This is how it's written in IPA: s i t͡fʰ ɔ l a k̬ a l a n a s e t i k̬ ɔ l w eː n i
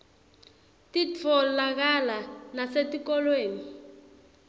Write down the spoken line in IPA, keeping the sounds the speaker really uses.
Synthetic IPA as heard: t i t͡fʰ ɔ l a k̬ a l a n a s e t i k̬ ɔ l w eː n i